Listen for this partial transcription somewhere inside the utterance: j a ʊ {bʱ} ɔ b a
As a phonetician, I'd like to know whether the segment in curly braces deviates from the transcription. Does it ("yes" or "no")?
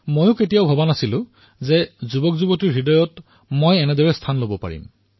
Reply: no